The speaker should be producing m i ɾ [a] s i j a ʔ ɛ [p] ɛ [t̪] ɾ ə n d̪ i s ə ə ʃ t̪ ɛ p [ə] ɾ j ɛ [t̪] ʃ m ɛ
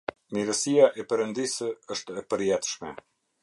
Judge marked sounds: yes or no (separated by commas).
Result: no, yes, no, yes, yes